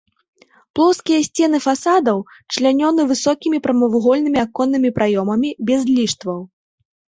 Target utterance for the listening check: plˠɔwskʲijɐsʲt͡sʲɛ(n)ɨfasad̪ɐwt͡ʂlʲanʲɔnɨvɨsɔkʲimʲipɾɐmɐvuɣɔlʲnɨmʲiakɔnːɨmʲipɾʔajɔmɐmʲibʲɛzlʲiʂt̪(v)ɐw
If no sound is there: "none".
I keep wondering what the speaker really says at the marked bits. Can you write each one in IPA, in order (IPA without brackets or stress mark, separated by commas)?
n, v